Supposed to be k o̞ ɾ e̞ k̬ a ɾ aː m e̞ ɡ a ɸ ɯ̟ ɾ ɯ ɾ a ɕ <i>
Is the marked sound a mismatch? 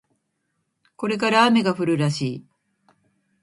yes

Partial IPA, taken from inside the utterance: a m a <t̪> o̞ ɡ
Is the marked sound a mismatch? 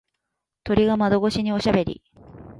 yes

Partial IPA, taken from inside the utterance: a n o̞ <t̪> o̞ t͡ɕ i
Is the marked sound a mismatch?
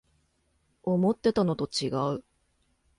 no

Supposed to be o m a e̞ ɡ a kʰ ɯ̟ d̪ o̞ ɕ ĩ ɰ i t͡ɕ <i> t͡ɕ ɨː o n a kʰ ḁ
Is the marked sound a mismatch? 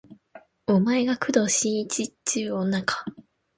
no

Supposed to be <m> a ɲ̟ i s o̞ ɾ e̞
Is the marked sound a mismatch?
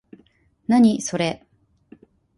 yes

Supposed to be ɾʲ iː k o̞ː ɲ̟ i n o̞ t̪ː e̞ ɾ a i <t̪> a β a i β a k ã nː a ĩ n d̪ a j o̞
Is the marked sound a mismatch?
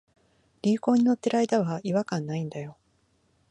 yes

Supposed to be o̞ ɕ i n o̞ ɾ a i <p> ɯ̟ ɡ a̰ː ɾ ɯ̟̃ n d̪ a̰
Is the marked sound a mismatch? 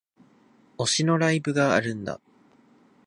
yes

